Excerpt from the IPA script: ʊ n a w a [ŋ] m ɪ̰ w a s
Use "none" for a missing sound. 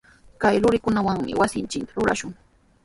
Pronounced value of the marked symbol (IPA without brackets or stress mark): ŋ